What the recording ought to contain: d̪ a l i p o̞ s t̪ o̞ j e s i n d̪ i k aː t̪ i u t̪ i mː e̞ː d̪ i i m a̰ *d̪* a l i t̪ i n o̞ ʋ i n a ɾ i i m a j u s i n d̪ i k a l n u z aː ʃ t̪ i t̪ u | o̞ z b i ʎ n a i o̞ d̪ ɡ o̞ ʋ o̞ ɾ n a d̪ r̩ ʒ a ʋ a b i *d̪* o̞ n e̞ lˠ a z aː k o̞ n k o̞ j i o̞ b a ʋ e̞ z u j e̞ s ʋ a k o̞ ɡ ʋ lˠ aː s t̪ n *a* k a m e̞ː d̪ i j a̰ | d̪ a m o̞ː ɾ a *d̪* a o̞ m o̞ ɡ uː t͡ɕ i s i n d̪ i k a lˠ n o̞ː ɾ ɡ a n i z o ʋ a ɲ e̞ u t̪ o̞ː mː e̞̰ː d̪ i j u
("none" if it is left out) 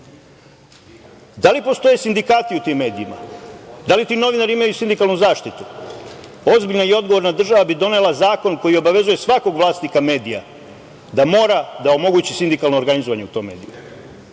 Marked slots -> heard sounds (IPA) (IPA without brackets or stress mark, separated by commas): d̪, d̪, i, d̪